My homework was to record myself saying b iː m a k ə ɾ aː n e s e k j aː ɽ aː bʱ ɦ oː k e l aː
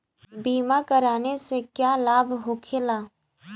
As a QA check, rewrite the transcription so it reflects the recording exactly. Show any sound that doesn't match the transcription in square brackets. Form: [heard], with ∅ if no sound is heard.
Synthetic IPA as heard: b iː m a k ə ɾ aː n e s e k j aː [l] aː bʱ ɦ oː [kʰ] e l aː